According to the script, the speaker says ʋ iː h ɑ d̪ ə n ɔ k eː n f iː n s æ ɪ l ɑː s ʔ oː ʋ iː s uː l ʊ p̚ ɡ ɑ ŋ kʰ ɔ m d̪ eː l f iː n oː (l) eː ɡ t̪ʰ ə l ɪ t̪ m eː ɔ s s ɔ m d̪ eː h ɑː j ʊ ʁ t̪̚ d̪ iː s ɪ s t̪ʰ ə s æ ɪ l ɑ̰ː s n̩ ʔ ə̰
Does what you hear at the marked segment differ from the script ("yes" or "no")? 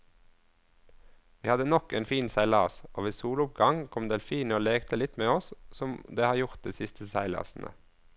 no